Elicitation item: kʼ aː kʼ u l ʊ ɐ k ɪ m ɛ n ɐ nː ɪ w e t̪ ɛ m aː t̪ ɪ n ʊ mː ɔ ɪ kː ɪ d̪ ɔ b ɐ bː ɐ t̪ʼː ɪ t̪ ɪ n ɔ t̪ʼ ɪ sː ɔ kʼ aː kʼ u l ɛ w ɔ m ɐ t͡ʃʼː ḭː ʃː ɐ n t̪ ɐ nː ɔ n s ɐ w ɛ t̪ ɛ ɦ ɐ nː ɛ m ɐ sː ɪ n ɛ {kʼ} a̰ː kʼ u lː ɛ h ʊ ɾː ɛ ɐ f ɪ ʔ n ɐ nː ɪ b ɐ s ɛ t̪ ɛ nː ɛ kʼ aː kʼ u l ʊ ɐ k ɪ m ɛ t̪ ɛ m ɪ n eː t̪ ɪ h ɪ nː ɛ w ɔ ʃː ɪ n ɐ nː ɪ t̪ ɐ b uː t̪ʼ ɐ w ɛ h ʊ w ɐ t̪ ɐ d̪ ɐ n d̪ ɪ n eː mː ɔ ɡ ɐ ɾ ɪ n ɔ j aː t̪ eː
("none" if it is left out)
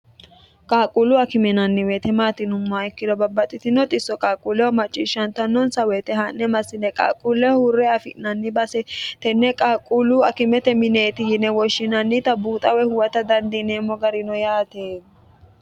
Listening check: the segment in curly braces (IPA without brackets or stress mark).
kʼ